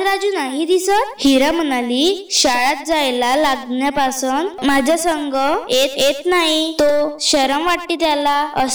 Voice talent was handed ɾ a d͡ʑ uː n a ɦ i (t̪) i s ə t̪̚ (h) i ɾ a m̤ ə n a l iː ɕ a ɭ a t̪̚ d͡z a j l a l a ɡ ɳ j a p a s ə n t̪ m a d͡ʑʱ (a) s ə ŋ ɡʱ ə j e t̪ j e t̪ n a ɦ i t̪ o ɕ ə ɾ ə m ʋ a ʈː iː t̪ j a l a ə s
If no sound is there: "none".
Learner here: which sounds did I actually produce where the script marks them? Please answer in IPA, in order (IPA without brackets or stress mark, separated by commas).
d̪, h, a